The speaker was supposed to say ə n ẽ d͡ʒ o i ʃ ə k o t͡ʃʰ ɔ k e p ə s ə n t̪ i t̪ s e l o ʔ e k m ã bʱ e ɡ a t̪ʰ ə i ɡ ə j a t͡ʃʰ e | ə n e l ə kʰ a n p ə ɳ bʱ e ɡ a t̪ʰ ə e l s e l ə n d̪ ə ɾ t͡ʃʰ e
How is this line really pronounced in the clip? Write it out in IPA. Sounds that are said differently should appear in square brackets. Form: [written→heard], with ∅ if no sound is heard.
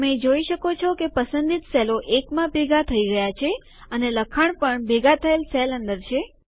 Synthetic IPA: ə [n→m] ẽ d͡ʒ o i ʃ ə k o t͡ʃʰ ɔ k e p ə s ə n [t̪→d̪] i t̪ s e l o ʔ e k m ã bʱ e ɡ a t̪ʰ ə i ɡ ə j a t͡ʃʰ e | ə n e l ə kʰ a [n→ɳ] p ə ɳ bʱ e ɡ a t̪ʰ ə e l s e l ə n d̪ ə ɾ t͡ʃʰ e